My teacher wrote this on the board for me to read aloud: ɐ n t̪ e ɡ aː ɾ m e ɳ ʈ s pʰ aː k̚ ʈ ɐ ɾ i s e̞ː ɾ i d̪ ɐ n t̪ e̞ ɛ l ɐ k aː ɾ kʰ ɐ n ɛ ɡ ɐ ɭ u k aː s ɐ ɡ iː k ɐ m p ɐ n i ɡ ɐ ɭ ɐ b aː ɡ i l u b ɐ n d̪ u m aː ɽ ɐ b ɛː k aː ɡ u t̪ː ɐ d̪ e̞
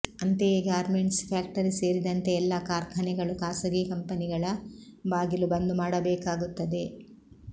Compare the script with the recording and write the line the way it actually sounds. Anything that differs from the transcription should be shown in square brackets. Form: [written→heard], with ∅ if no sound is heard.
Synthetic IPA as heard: ɐ n t̪ e ɡ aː ɾ m e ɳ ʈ s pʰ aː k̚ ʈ ɐ ɾ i s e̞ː ɾ i d̪ ɐ n t̪ e̞ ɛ [l→lː] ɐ k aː ɾ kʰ ɐ n ɛ ɡ ɐ ɭ u k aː s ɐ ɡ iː k ɐ m p ɐ n i ɡ ɐ ɭ ɐ b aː ɡ i l u b ɐ n d̪ u m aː ɽ ɐ b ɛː k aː ɡ u t̪ː ɐ d̪ e̞